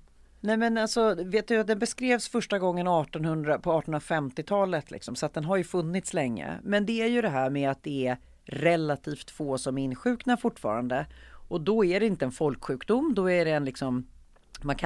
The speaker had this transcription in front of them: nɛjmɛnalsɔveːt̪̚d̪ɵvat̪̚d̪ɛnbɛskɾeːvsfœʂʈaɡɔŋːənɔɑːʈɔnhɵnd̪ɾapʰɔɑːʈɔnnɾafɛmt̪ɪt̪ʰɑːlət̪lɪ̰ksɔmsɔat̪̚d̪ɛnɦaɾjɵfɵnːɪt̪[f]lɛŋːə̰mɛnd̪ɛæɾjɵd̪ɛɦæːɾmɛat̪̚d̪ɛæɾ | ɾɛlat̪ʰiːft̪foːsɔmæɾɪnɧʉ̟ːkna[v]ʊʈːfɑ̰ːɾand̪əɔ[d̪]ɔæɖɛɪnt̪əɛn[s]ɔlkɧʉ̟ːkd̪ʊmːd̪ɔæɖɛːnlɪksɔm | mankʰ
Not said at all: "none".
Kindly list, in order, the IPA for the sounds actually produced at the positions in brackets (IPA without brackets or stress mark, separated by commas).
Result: s, f, d̪, f